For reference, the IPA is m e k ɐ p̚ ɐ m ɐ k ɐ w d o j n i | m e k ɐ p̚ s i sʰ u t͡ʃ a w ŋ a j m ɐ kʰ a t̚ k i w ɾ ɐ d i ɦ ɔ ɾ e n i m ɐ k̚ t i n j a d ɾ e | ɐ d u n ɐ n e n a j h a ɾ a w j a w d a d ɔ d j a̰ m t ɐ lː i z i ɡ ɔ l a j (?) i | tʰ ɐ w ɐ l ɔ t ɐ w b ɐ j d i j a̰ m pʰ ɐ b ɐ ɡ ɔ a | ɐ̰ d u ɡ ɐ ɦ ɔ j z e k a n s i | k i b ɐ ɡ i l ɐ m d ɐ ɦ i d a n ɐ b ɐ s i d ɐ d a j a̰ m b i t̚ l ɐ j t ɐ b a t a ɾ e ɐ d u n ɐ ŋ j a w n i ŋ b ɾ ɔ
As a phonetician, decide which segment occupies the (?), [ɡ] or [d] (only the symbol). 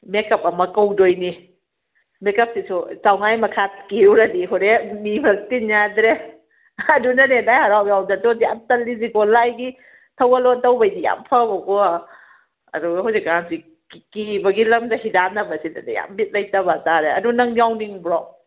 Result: ɡ